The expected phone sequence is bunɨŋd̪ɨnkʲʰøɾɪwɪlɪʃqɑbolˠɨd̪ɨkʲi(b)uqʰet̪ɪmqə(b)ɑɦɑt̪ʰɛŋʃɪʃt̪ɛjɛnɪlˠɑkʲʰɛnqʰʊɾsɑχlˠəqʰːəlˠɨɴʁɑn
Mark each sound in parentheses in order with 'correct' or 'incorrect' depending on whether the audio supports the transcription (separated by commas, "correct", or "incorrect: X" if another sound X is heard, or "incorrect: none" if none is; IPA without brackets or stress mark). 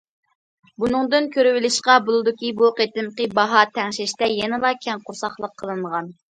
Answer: correct, correct